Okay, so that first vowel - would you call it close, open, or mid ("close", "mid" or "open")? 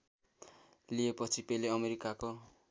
close